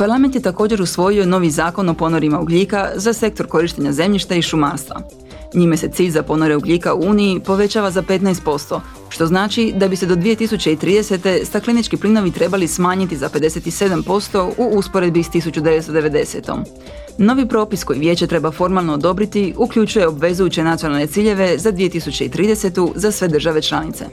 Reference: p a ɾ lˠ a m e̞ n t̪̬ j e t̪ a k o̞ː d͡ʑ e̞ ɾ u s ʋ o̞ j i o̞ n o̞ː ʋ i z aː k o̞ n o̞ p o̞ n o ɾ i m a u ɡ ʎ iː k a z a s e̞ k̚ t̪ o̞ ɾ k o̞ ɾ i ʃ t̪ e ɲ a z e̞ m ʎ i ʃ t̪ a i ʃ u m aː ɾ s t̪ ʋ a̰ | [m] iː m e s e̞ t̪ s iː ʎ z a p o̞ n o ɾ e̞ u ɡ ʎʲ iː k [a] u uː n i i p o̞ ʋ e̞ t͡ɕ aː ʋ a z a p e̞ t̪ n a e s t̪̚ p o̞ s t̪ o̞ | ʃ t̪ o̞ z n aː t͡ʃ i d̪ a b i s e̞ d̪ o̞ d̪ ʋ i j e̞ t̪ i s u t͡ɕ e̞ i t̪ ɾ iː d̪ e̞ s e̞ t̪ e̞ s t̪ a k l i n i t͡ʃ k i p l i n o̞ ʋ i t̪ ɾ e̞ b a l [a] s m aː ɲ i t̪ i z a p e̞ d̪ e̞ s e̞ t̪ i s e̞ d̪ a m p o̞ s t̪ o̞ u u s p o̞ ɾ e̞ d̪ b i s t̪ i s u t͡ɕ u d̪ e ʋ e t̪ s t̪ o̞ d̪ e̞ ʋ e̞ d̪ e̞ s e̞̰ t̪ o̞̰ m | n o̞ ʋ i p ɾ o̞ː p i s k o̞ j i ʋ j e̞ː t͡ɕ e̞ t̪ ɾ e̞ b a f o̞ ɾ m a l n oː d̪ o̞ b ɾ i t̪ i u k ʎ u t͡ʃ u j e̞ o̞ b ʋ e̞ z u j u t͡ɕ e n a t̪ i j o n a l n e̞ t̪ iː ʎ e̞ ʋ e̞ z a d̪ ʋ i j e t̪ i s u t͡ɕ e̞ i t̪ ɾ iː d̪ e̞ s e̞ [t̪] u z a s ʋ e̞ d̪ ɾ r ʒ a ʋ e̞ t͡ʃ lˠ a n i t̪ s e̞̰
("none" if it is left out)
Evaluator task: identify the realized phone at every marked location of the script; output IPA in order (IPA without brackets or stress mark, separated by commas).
ɲ, a, i, t̪